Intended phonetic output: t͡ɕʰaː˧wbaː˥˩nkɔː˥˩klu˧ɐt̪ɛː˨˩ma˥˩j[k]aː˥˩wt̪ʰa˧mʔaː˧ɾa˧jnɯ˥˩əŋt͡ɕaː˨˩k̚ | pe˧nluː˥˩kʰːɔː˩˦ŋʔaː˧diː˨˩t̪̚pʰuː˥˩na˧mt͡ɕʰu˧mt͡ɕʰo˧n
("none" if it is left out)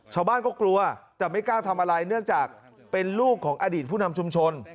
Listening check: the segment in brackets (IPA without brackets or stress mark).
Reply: k